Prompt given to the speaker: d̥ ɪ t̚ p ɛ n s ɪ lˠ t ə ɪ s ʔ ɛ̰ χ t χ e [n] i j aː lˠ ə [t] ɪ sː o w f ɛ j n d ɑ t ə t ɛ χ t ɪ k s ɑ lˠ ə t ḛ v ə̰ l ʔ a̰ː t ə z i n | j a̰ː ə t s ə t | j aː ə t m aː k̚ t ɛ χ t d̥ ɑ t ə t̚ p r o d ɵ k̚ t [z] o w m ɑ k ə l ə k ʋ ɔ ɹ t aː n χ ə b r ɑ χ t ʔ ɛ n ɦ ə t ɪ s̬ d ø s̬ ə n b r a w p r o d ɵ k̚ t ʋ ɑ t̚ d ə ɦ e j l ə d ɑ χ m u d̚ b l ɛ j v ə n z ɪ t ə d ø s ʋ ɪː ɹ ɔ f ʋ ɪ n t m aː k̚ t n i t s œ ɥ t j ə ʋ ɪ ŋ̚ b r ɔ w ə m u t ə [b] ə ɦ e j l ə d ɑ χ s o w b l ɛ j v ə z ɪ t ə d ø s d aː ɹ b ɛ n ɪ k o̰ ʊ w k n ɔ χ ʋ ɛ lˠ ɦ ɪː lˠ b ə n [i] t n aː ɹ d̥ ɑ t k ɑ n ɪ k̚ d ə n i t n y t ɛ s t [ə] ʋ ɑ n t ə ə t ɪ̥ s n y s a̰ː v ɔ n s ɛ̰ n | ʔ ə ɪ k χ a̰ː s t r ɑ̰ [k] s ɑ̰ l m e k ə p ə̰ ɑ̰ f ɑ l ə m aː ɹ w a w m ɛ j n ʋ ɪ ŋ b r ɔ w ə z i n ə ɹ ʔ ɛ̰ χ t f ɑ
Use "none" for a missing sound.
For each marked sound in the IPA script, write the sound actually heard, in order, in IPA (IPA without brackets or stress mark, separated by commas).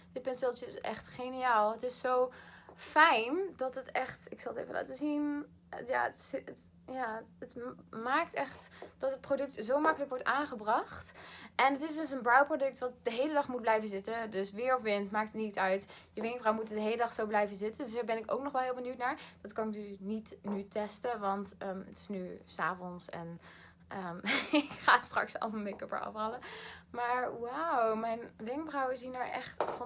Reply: n, t, z, d, y, ə, k